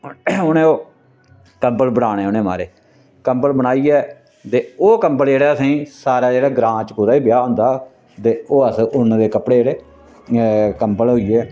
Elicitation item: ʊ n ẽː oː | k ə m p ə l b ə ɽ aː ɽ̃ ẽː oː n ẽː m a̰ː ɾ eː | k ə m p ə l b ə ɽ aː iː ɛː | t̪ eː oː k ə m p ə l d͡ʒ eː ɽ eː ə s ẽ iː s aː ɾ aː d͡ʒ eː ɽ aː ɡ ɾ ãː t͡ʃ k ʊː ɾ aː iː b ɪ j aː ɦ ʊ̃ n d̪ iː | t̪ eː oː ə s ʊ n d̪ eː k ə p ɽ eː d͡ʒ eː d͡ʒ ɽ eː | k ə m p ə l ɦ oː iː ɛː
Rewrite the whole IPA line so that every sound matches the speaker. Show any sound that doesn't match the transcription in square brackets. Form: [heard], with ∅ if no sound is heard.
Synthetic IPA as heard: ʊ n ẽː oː | k ə m p ə l b ə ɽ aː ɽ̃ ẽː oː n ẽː m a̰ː ɾ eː | k ə m p ə l b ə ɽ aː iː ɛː | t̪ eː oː k ə m p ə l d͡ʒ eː ɽ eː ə s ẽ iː s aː ɾ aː d͡ʒ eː ɽ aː ɡ ɾ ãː t͡ʃ k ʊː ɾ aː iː b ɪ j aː ɦ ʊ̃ n d̪ [aː] | t̪ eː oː ə s ʊ n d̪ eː k ə p ɽ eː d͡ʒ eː [∅] ɽ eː | k ə m p ə l ɦ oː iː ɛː